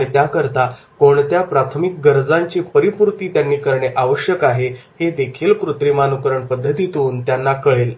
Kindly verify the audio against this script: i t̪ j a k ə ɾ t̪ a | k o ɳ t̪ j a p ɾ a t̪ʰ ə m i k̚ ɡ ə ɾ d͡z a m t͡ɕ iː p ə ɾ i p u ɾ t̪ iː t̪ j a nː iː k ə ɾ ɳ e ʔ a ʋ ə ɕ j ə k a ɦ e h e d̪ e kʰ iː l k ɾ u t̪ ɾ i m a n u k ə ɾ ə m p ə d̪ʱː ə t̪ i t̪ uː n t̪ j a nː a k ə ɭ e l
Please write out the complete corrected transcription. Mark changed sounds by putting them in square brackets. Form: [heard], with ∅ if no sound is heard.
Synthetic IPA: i t̪ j a k ə ɾ t̪ a | k o ɳ t̪ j a p ɾ a t̪ʰ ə m i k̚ ɡ ə ɾ d͡z a [ɲ] t͡ɕ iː p ə ɾ i p u ɾ t̪ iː t̪ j a nː iː k ə ɾ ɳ e ʔ a ʋ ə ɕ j ə k a ɦ e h e d̪ e kʰ iː l k ɾ u t̪ ɾ i m a n u k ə ɾ ə [ɳ] p ə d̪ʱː ə t̪ i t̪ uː n t̪ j a nː a k ə ɭ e l

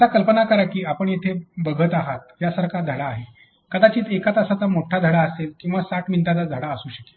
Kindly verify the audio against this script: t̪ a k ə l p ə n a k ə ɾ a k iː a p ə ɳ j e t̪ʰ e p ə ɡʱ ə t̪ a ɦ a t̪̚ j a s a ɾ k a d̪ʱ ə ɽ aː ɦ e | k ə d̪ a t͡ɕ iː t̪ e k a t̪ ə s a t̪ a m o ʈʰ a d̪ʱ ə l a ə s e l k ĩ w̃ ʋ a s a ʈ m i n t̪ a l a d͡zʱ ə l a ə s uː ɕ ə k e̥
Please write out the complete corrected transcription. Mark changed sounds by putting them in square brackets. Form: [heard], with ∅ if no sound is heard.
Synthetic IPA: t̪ a k ə l p ə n a k ə ɾ a k iː a p ə ɳ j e t̪ʰ e [b] ə ɡʱ ə t̪ a ɦ a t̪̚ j a s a ɾ k a d̪ʱ ə ɽ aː ɦ e | k ə d̪ a t͡ɕ iː t̪ e k a t̪ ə s a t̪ a m o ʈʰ a d̪ʱ ə [ɽ] a ə s e l k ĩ w̃ ʋ a s a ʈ m i n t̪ a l a d͡zʱ ə [ɽ] a ə s uː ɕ ə k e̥

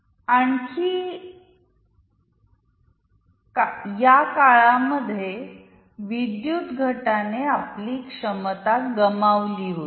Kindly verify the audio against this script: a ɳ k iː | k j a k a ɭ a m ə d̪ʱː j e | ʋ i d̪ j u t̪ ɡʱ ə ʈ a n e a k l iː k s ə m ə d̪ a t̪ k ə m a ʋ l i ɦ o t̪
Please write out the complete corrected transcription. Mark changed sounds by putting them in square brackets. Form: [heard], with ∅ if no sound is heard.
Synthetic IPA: a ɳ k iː | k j a k a ɭ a m ə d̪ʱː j e | ʋ i d̪ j u t̪ ɡʱ ə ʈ a n e a [p] l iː k [ʂ] ə m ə [t̪] a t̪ [ɡ] ə m a ʋ l i ɦ o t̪

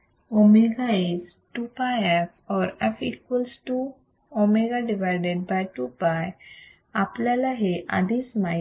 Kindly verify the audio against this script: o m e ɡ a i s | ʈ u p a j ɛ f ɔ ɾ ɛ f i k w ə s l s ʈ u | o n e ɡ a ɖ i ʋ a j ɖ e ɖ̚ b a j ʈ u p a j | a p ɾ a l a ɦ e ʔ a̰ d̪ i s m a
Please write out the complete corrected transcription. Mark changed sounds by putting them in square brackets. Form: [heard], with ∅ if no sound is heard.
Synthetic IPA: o m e ɡ a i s | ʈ u p a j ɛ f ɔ ɾ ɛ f i k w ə [∅] l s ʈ u | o [m] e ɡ a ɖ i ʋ a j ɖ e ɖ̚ b a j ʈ u p a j | a p [l] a l a ɦ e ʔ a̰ d̪ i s m a

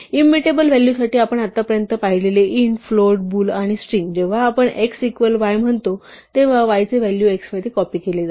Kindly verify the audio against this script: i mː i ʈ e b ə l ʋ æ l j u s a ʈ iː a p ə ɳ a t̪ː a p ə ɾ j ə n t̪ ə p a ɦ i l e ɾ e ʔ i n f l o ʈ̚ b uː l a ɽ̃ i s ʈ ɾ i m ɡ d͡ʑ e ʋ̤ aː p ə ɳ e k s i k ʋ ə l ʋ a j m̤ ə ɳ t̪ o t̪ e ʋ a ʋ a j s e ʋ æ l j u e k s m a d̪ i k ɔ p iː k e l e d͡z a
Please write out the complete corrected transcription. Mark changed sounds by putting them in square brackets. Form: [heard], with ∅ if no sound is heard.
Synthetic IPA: i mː i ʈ e b ə l ʋ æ l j u s a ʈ iː a p ə ɳ a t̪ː a p ə ɾ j ə n t̪ ə p a ɦ i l e [l] e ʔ i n f l o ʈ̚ b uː l a ɽ̃ i s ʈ ɾ i [ŋ] ɡ d͡ʑ e ʋ̤ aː p ə ɳ e k s i k ʋ ə l ʋ a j m̤ ə ɳ t̪ o t̪ e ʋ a ʋ a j [t͡s] e ʋ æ l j u e k s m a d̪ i k ɔ p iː k e l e d͡z a

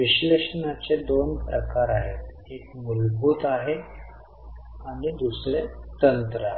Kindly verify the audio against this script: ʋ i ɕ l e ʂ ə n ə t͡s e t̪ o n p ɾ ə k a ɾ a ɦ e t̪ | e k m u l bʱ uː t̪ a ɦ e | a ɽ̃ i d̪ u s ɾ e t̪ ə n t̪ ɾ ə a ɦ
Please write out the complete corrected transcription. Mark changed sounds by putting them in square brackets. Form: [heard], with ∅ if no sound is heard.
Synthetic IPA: ʋ i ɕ l e ʂ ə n [a] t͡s e [d̪] o n p ɾ ə k a ɾ a ɦ e t̪ | e k m u l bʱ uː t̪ a ɦ e | a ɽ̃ i d̪ u s ɾ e t̪ ə n t̪ ɾ ə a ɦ

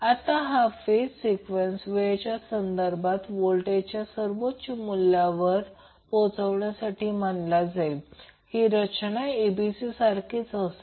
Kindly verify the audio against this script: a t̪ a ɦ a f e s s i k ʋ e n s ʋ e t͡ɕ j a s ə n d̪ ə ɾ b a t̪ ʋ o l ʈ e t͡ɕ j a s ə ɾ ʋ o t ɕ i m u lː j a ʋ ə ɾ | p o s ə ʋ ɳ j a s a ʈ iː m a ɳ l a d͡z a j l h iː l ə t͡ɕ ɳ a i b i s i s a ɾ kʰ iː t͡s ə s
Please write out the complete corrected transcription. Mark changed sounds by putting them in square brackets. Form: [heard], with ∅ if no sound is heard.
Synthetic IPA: a t̪ a ɦ a f e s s i k ʋ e n s ʋ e t͡ɕ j a s ə n d̪ ə ɾ b a t̪ ʋ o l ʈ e t͡ɕ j a s ə ɾ ʋ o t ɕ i m u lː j a ʋ ə ɾ | p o [t͡s] ə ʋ ɳ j a s a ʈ iː m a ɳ l a d͡z a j l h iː [ɾ] ə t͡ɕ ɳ a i b i s i s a ɾ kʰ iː t͡s ə s

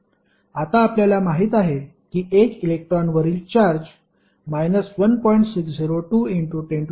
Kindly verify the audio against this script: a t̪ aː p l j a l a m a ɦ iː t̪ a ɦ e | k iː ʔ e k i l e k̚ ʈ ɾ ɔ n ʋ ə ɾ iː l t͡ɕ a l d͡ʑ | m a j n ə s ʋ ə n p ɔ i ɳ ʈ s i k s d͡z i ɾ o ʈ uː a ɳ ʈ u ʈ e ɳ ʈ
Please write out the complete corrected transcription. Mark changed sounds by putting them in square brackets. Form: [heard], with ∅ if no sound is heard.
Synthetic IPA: a t̪ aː p l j a l a m a ɦ iː t̪ a ɦ e | k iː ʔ e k i l e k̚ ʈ ɾ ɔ n ʋ ə ɾ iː l t͡ɕ a [ɾ] d͡ʑ | m a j n ə s ʋ ə n p ɔ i ɳ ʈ s i k s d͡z i ɾ o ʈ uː [i] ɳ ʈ u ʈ e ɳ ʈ

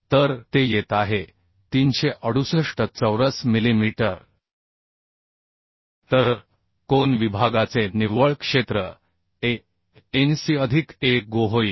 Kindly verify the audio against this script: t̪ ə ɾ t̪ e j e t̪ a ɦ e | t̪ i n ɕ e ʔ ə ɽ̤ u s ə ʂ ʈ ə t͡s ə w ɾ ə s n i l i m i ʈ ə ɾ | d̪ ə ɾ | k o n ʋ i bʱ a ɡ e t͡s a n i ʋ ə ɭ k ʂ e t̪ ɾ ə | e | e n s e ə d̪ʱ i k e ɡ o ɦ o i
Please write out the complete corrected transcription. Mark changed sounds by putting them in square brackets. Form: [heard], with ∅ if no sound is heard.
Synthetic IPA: t̪ ə ɾ t̪ e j e t̪ a ɦ e | t̪ i n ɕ e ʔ ə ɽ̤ u s ə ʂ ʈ ə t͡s ə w ɾ ə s [m] i l i m i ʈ ə ɾ | [t̪] ə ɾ | k o n ʋ i bʱ a ɡ [a] t͡s [e] n i ʋ ə ɭ k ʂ e t̪ ɾ ə | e | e n s [i] ə d̪ʱ i k e ɡ o ɦ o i

